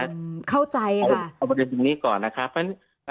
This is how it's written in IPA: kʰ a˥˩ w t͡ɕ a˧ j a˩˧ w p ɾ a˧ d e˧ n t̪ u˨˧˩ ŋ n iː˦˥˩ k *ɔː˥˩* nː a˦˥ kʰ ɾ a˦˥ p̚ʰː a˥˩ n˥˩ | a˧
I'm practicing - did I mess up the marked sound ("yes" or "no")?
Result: yes